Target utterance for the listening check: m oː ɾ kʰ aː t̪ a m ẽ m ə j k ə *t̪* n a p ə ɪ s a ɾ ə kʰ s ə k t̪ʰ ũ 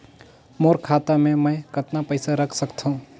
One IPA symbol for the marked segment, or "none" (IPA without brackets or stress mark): t̪